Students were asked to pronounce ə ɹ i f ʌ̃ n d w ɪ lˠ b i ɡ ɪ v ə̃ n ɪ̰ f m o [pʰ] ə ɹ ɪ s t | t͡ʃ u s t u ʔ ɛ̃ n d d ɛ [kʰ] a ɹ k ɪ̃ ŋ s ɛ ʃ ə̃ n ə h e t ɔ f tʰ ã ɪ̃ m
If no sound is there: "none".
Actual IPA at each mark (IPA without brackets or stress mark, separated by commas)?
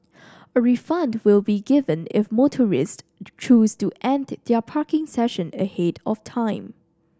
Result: tʰ, pʰ